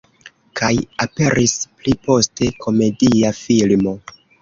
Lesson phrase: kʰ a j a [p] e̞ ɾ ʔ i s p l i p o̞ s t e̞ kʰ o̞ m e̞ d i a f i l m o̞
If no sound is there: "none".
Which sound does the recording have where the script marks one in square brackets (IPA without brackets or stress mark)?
p